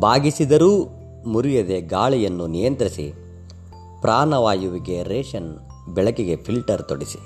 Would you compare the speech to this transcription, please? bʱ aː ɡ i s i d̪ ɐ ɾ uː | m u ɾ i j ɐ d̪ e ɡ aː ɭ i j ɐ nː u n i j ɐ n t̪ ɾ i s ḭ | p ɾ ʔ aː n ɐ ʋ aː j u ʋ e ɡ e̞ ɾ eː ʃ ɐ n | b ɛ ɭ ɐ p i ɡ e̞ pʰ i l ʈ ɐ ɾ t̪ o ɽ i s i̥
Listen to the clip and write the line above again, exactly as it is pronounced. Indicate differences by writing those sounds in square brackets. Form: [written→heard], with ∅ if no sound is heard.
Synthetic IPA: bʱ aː ɡ i s i d̪ ɐ ɾ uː | m u ɾ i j ɐ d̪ e ɡ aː ɭ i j ɐ nː u n i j ɐ n t̪ ɾ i s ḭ | p ɾ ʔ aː n ɐ ʋ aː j u ʋ [e→i] ɡ e̞ ɾ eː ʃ ɐ n | b ɛ ɭ ɐ [p→k] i ɡ e̞ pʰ i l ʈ ɐ ɾ t̪ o ɽ i s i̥